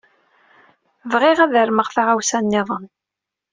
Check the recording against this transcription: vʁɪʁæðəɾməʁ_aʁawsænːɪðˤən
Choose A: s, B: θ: B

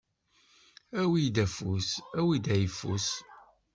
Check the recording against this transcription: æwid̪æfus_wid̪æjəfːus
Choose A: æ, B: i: A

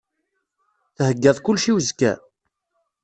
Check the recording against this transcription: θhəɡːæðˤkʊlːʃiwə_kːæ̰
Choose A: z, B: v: A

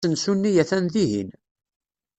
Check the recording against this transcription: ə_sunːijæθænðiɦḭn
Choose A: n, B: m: A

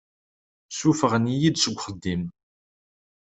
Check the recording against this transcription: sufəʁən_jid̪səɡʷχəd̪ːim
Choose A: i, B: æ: A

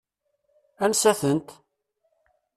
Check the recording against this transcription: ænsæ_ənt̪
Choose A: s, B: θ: B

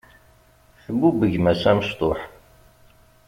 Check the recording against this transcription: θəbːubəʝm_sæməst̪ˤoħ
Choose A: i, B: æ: B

